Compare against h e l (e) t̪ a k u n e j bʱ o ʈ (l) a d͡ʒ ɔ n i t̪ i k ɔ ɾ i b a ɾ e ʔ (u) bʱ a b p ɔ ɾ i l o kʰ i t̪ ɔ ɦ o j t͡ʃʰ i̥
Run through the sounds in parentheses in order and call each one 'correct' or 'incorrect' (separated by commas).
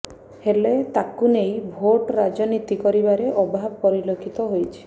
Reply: correct, incorrect, incorrect